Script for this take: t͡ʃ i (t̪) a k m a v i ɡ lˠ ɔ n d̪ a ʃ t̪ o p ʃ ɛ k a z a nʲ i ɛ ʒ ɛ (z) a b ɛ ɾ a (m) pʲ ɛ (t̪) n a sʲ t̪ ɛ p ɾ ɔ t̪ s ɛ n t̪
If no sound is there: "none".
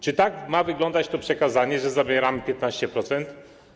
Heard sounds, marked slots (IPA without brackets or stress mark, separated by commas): t̪, z, m, t̪